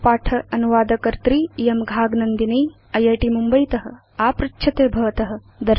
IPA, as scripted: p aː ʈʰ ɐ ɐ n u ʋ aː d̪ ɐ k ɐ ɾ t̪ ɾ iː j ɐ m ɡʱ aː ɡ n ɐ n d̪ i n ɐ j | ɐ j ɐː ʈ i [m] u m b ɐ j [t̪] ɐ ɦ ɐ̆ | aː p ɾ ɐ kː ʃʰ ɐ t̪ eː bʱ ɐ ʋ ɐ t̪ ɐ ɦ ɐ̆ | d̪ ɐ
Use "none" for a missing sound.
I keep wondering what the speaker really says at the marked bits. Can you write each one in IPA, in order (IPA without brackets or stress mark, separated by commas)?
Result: m, t̪